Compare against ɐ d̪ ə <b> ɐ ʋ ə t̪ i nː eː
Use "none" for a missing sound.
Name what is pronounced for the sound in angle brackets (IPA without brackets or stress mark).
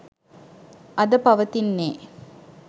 p